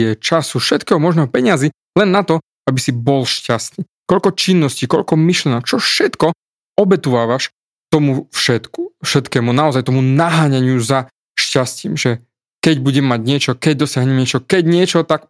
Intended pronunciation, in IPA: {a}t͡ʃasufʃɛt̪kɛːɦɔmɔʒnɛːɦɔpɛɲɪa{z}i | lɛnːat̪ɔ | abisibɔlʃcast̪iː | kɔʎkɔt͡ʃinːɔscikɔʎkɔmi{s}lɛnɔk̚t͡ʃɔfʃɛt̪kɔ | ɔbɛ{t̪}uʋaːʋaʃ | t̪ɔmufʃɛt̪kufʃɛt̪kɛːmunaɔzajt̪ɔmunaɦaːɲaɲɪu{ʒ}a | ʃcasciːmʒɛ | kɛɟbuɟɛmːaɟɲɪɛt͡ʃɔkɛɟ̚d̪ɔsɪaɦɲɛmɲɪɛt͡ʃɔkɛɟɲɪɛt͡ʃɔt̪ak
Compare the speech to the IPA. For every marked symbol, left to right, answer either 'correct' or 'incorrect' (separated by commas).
incorrect, correct, incorrect, correct, incorrect